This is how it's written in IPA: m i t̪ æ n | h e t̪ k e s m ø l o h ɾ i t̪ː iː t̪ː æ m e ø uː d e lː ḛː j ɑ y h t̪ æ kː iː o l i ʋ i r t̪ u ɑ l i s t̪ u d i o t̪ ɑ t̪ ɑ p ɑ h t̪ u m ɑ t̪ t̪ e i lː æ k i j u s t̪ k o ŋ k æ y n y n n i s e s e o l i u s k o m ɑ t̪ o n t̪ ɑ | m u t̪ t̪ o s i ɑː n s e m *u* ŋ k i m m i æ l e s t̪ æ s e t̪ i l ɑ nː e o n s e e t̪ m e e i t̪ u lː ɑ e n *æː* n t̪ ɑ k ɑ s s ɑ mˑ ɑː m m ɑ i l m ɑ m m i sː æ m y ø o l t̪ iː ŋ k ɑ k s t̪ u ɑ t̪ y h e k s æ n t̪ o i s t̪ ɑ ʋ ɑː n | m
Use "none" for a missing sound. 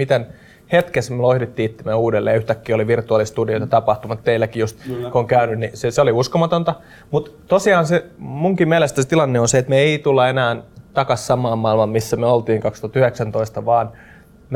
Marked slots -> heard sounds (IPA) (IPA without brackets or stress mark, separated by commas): u, æː